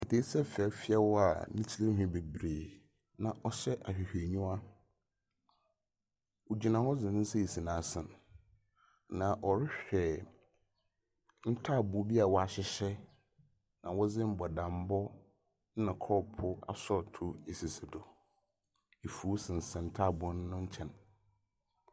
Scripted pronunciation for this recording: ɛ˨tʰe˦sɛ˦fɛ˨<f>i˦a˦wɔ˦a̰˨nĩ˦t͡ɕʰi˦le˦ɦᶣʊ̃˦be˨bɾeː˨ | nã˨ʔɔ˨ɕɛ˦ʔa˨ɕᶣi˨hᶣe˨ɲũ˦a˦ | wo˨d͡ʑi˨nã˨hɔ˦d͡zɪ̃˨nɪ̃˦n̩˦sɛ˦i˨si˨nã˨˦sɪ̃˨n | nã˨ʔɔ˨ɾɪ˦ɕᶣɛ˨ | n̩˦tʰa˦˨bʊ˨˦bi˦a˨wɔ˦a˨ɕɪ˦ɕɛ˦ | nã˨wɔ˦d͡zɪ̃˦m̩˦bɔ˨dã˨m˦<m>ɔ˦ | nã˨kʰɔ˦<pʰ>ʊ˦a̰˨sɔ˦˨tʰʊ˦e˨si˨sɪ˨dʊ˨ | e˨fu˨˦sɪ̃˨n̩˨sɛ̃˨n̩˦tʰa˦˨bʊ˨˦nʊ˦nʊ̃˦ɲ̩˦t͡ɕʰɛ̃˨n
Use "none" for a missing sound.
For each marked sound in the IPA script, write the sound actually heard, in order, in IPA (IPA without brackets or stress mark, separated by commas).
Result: f, b, pʰ